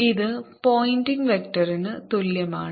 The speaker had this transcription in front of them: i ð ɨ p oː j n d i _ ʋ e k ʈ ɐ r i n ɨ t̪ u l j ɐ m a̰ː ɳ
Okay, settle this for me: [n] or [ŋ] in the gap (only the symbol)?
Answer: ŋ